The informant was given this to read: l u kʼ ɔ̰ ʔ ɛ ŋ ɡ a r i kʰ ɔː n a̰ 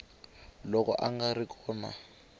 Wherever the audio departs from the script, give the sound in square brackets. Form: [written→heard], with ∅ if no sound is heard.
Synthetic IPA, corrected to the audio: l [u→ɔ] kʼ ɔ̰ ʔ [ɛ→a] ŋ ɡ a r i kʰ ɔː n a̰